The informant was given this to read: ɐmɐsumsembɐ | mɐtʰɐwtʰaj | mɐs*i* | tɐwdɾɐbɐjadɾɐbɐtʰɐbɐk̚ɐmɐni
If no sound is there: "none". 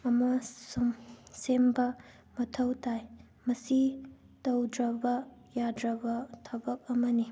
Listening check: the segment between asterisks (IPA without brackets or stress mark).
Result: i